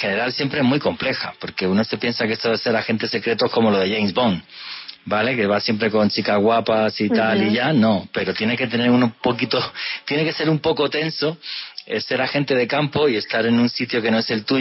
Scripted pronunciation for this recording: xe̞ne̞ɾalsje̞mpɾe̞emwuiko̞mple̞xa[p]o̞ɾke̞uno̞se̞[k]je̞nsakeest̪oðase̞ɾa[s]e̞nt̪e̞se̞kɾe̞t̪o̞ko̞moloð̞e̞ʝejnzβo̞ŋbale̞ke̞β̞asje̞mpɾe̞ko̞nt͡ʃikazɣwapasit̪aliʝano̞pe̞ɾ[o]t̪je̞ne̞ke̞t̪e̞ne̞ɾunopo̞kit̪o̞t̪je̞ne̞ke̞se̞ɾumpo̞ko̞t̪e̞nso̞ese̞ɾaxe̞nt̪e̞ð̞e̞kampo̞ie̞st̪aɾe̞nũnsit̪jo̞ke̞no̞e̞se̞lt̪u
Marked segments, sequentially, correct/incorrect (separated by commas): correct, incorrect, incorrect, correct